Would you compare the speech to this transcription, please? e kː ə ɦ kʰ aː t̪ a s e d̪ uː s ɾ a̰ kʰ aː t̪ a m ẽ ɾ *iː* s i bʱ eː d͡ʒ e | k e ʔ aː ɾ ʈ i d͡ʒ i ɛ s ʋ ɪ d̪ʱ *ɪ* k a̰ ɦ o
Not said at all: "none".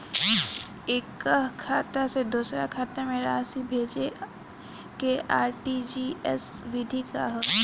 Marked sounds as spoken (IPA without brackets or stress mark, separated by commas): aː, i